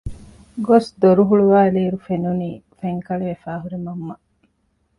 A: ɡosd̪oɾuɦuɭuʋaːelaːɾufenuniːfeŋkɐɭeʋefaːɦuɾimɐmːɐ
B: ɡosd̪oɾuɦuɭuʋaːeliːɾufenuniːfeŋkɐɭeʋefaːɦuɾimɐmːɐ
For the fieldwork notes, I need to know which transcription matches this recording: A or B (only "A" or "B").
B